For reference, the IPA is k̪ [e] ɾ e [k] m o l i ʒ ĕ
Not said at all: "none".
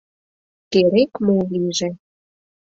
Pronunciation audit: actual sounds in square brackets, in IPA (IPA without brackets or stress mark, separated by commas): e, k